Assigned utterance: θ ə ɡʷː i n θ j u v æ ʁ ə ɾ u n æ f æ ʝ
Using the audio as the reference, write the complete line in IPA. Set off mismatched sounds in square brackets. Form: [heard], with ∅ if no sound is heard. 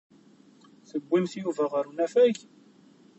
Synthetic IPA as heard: θ ə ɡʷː i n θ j u v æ ʁ ə ɾ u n æ f æ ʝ